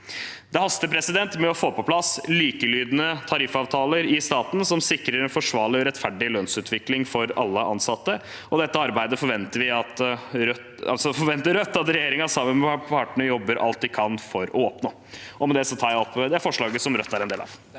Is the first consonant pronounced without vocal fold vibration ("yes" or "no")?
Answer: no